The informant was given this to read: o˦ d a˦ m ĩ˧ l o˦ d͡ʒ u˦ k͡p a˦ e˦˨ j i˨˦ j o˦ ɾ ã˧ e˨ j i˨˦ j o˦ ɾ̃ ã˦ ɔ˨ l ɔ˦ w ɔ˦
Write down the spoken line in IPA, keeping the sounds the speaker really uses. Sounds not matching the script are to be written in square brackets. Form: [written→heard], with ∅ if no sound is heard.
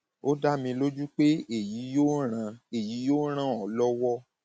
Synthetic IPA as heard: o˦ d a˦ m ĩ˧ l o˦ d͡ʒ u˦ k͡p [a˦→e˦] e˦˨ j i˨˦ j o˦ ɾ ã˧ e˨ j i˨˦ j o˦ ɾ̃ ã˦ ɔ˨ l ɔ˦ w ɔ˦